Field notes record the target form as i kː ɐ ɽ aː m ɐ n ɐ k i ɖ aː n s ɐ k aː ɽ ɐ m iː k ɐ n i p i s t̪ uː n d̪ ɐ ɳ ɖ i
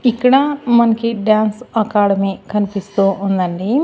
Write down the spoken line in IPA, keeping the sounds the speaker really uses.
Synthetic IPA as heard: i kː ɐ ɽ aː m ɐ n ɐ k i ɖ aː n s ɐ k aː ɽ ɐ m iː k ɐ n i p i s t̪ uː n d̪ ɐ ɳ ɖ i